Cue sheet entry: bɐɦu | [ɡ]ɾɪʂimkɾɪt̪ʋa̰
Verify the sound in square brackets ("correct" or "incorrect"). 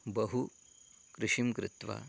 incorrect